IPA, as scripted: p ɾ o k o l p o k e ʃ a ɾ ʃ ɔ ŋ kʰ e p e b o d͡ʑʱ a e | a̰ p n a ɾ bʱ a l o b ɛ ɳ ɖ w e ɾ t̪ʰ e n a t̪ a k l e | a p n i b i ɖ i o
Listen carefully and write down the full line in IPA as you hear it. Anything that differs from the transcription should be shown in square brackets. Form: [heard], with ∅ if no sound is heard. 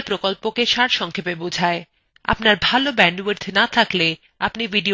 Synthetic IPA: p ɾ o k o l p o k e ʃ a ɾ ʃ ɔ ŋ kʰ e p e b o d͡ʑʱ a e | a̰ p n a ɾ bʱ a l o b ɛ ɳ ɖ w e ɾ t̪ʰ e n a [t̪ʰ] a k l e | a p n i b i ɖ i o